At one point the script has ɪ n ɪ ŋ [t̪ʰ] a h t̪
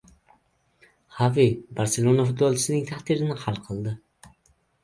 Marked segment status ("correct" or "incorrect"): correct